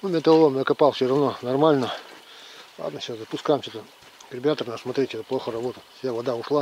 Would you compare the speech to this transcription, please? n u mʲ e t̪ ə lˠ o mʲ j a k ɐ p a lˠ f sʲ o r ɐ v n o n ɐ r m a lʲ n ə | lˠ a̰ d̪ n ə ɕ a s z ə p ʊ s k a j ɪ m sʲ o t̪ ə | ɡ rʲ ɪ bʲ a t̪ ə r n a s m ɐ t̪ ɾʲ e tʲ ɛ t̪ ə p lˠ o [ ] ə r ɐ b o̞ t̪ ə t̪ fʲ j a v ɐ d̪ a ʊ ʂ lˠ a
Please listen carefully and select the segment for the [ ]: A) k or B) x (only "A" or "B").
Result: B